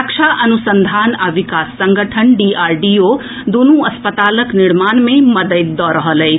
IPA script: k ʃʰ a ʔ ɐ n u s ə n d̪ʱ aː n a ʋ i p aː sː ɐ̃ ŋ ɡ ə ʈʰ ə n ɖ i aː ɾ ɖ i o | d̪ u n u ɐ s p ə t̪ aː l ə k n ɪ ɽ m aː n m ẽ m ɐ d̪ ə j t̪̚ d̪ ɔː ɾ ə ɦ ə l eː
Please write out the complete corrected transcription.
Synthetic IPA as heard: k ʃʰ a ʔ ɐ n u s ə n d̪ʱ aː n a ʋ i k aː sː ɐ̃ ŋ ɡ ə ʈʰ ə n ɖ i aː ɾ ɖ i o | d̪ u n u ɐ s p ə t̪ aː l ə k n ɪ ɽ m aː n m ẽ m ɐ d̪ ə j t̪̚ d̪ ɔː ɾ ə ɦ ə l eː